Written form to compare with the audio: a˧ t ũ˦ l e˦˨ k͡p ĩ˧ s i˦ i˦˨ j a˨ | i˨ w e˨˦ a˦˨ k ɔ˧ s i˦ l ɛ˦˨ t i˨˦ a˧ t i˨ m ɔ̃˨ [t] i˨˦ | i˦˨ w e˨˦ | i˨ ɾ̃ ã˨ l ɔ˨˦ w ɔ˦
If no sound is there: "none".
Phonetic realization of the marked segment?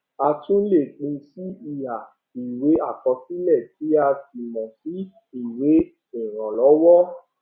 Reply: s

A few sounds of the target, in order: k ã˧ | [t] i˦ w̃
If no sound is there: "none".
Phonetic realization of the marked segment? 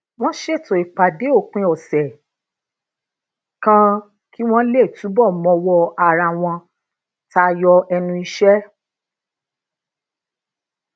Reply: k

